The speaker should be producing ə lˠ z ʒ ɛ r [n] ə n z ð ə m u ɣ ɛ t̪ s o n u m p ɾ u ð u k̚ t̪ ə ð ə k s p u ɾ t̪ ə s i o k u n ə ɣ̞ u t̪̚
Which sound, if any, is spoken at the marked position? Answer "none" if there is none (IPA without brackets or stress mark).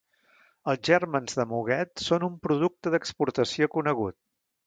m